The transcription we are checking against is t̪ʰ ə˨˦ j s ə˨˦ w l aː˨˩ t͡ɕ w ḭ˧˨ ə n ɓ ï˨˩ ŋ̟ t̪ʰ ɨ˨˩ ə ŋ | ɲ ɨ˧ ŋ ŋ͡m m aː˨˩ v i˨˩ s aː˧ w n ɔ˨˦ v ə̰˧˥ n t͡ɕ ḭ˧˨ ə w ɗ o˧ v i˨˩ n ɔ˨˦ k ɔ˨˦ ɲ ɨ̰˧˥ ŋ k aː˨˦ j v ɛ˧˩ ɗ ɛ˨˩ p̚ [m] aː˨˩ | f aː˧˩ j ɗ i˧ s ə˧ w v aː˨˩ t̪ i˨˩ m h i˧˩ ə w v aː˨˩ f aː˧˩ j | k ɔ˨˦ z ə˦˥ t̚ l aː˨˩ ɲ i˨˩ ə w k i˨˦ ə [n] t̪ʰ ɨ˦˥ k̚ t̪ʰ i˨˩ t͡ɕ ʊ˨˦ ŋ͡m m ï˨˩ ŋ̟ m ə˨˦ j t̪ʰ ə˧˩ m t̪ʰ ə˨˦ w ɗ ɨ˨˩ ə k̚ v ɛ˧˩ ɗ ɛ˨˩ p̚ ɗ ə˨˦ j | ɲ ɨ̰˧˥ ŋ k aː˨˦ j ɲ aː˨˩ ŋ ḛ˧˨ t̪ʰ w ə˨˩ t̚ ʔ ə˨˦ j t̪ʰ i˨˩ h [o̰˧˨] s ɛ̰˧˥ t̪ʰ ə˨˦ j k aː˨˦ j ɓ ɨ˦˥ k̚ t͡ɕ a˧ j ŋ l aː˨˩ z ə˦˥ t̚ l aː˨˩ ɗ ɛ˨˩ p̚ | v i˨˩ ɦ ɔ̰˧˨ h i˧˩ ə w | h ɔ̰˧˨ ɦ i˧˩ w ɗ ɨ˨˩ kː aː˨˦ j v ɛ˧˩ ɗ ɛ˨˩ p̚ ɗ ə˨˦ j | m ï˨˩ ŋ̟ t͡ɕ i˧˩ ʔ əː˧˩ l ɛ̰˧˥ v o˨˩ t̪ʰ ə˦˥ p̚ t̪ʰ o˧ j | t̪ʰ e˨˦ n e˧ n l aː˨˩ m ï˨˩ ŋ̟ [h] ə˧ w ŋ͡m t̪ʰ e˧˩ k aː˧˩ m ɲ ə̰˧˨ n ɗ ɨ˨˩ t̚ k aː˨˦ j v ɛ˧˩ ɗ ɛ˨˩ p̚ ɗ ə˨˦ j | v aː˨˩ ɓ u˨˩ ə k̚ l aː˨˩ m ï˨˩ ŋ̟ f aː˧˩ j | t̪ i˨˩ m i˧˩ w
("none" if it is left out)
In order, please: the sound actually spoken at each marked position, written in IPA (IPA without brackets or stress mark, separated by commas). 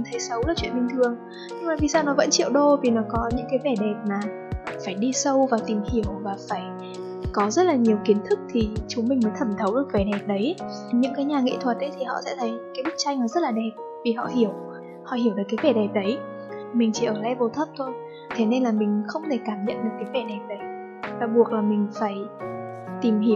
m, n, ɔ̰˧˨, x